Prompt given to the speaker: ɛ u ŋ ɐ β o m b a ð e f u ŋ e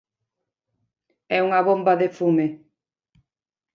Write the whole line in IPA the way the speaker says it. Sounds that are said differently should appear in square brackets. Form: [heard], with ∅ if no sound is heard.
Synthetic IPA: ɛ u ŋ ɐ β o m b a ð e f u [m] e